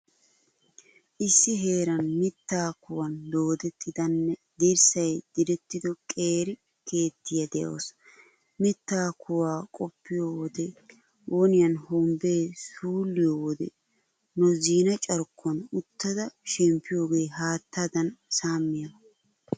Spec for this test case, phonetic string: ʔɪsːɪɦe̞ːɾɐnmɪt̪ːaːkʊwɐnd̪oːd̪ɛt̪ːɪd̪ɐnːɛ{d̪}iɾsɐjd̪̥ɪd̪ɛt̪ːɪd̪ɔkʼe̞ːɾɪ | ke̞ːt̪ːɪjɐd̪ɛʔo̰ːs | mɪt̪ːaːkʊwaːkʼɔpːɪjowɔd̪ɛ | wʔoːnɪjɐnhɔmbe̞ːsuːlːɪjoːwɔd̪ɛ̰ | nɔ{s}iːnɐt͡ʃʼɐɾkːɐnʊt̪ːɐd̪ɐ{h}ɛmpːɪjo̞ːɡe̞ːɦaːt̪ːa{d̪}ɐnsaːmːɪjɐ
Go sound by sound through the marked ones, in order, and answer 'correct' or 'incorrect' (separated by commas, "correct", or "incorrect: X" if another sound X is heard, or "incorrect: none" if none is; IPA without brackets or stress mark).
correct, incorrect: z, incorrect: ʃ, correct